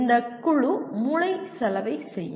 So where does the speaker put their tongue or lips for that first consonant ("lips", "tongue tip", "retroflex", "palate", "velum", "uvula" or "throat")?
tongue tip